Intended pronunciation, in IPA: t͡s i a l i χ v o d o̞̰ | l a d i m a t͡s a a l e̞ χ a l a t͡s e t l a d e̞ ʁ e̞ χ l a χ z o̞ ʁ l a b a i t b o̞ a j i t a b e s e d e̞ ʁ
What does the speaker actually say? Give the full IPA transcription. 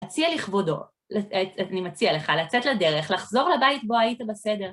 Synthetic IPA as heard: t͡s i a l i χ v o d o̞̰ | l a n i m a t͡s i a l e̞ χ a l a t͡s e t l a d e̞ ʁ e̞ χ l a χ z o̞ ʁ l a b a i t b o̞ a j i t a b e s e d e̞ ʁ